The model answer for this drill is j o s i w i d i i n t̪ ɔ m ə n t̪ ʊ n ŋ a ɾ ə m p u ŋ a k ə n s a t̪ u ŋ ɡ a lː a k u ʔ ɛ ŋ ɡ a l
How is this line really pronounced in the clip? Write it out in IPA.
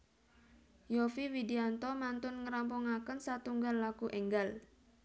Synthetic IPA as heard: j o f i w i d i a n t̪ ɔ m a n t̪ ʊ n ŋ ə ɾ a m p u ŋ a k ə n s a t̪ u ŋ ɡ a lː a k u ʔ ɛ ŋ ɡ a l